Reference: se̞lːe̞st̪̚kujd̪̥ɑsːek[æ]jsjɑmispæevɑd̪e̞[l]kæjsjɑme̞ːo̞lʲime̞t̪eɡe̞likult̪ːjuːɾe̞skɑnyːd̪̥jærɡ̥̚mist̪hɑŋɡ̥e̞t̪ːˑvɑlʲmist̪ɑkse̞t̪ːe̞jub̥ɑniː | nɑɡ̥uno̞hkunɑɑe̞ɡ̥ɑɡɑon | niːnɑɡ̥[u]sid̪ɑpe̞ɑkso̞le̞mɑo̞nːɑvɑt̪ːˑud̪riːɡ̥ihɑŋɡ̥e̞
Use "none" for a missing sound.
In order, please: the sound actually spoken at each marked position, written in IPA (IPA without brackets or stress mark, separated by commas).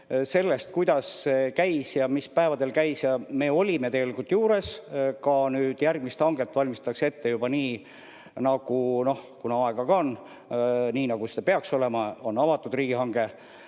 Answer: æ, l, u